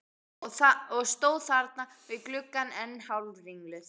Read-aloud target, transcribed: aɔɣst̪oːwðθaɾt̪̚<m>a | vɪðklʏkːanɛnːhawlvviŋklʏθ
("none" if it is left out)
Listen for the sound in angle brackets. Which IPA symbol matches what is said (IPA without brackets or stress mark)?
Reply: n